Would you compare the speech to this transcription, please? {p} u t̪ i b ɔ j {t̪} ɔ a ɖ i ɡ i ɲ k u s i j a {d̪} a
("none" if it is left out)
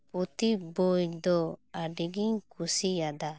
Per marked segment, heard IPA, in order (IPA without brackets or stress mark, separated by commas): p, d̪, d̪